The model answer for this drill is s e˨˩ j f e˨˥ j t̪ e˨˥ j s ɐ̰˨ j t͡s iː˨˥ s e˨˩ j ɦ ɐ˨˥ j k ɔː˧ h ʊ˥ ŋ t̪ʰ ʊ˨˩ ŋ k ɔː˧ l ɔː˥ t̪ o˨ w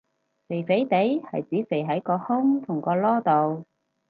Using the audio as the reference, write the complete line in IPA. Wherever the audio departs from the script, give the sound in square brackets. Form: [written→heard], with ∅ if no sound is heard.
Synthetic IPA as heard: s e˨˩ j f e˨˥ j t̪ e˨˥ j [s→h] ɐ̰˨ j t͡s iː˨˥ s e˨˩ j ɦ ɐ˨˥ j k ɔː˧ h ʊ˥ ŋ t̪ʰ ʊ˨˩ ŋ k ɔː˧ l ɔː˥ t̪ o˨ w